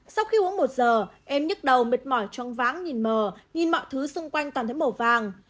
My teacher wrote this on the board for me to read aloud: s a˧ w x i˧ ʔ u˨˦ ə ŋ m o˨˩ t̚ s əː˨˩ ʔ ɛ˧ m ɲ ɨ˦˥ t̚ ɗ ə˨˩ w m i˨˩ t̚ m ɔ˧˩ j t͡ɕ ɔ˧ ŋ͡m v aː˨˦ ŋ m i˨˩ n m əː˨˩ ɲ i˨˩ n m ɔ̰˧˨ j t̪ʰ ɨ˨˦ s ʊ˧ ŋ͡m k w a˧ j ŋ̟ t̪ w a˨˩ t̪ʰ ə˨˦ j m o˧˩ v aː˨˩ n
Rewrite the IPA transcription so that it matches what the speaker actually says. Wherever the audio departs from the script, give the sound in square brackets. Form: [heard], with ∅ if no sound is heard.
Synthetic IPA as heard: s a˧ w x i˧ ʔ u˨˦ ə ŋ m o˨˩ t̚ [z] əː˨˩ ʔ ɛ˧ m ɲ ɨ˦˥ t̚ ɗ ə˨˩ w m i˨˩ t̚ m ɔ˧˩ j t͡ɕ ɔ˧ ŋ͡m v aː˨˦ ŋ [ɲ] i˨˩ n m əː˨˩ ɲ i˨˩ n m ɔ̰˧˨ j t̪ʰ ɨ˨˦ s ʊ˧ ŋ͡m k w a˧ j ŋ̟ t̪ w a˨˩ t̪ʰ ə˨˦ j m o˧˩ v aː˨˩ [ŋ]